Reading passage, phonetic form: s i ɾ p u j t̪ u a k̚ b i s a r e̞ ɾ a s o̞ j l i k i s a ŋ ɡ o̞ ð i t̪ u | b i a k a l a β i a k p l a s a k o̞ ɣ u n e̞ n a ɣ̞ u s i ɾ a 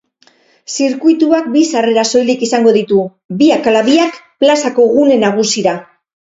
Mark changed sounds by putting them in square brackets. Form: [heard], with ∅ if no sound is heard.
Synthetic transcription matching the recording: s i ɾ [k] u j t̪ u a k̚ b i s a r e̞ ɾ a s o̞ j l i k i s a ŋ ɡ o̞ ð i t̪ u | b i a k a l a β i a k p l a s a k o̞ ɣ u n e̞ n a ɣ̞ u s i ɾ a